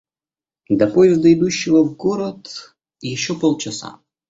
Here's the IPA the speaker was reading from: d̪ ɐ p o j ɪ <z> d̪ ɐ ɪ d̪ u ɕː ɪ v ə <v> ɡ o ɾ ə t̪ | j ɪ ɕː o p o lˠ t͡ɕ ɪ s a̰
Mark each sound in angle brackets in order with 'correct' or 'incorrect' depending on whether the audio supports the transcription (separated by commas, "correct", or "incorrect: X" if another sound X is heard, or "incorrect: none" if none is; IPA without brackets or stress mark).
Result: correct, correct